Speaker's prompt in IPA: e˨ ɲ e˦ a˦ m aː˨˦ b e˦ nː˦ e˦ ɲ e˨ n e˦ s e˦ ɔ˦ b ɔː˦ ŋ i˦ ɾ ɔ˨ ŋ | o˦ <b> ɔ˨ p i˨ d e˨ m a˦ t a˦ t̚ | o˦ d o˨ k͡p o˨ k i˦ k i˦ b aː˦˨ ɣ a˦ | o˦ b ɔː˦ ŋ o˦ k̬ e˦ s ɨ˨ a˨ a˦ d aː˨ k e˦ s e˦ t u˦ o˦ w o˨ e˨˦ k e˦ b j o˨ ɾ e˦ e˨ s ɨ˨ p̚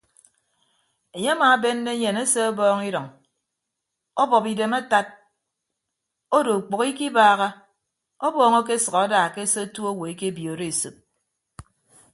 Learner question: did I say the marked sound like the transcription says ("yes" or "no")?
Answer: yes